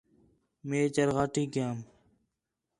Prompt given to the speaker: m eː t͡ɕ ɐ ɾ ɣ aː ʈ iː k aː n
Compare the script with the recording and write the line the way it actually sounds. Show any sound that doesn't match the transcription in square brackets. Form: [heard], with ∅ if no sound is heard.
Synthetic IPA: m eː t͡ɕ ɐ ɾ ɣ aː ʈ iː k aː [m]